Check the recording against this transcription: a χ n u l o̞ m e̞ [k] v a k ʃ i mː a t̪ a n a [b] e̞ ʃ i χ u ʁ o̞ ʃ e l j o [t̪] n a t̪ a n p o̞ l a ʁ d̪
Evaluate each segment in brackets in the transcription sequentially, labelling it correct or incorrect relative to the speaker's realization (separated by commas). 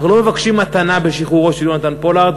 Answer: incorrect, correct, incorrect